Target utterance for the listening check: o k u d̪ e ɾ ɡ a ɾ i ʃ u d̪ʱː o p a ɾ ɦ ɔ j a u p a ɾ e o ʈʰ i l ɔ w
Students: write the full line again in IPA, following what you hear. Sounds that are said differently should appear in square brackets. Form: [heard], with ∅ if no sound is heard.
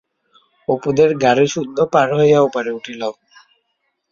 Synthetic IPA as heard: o [p] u d̪ e ɾ ɡ a ɾ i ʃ u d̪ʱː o p a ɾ ɦ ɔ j a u p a ɾ e [u] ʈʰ i l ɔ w